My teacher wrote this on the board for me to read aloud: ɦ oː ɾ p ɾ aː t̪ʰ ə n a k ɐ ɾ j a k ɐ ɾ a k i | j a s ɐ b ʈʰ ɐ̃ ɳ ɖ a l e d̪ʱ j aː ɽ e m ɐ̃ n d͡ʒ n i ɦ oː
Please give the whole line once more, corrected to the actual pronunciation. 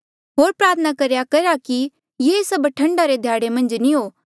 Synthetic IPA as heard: ɦ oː ɾ p ɾ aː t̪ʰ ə n a k ɐ ɾ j a k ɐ ɾ a k i | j e s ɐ b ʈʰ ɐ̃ ɳ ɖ a ɾ e d̪ʱ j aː ɽ e m ɐ̃ n d͡ʒ n i ɦ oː